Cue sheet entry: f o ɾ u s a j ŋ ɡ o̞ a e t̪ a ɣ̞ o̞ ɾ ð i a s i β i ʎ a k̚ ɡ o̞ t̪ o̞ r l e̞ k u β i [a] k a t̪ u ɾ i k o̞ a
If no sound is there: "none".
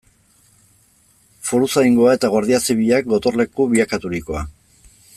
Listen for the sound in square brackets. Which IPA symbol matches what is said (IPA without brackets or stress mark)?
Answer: a